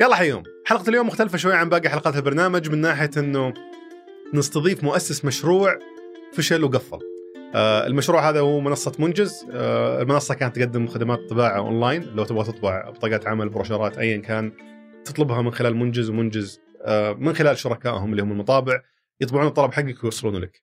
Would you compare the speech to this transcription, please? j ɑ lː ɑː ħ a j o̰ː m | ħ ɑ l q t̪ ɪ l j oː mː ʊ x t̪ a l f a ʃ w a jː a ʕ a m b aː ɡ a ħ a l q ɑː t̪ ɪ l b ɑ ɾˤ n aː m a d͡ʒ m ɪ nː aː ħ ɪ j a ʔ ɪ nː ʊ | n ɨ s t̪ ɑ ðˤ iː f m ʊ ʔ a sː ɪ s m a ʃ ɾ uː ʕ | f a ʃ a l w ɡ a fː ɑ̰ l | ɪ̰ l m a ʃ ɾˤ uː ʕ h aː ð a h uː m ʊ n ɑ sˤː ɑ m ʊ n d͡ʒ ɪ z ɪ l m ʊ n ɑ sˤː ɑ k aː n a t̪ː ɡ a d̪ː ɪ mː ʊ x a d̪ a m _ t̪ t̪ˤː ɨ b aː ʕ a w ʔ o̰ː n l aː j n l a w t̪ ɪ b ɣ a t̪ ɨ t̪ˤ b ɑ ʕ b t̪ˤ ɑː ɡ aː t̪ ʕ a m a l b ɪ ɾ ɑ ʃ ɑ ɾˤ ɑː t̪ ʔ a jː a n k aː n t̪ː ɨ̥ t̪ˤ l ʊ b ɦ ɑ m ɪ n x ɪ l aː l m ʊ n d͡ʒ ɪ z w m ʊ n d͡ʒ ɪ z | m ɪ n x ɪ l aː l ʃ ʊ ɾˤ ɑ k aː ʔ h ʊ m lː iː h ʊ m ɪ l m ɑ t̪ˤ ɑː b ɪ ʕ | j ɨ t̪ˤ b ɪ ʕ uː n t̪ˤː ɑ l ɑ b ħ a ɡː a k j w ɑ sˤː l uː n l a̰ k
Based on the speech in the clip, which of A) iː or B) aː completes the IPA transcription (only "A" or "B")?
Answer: B